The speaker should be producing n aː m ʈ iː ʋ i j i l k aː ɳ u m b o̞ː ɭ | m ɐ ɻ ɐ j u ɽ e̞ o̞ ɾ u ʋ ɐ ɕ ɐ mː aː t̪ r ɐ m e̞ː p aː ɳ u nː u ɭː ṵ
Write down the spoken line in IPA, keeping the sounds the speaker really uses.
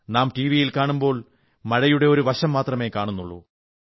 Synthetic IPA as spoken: n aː m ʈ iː ʋ i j i l k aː ɳ u m b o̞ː ɭ | m ɐ ɻ ɐ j u ɽ e̞ o̞ ɾ u ʋ ɐ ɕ ɐ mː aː t̪ r ɐ m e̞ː k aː ɳ u nː u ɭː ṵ